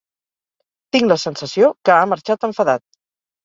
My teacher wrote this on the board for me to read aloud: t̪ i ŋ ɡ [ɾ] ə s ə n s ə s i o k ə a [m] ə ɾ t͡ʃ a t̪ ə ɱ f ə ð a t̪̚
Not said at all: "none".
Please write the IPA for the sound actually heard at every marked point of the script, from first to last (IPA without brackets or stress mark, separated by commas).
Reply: l, m